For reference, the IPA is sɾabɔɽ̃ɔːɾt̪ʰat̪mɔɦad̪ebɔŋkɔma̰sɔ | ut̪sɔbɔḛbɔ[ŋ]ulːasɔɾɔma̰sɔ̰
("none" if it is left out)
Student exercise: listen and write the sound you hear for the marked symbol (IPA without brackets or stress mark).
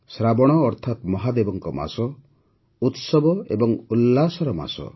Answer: ŋ